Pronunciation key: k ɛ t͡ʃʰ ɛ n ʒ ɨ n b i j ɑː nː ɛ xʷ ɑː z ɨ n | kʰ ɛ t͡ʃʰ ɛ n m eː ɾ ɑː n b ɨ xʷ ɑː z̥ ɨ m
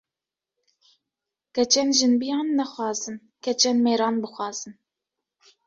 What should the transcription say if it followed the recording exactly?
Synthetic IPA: k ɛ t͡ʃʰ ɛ n ʒ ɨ n b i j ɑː nː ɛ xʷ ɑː z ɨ n | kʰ ɛ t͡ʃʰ ɛ n m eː ɾ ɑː n b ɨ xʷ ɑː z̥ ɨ n